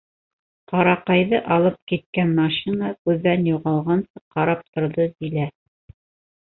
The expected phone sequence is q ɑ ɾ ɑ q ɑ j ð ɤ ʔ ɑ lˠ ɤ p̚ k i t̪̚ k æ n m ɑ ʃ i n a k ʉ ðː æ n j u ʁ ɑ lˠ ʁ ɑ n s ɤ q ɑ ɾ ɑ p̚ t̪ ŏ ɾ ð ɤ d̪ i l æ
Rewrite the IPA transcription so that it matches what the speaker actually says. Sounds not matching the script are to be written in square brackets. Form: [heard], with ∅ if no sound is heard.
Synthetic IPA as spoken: q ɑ ɾ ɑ q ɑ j ð ɤ ʔ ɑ lˠ ɤ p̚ k i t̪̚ k æ n m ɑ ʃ i n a k ʉ ðː æ n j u ʁ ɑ lˠ ʁ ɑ n s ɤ q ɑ ɾ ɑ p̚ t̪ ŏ ɾ ð ɤ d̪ i l æ